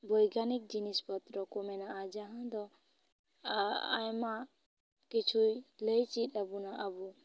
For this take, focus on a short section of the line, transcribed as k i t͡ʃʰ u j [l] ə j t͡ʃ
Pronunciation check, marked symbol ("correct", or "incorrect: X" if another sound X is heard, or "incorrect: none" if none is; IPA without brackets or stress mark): correct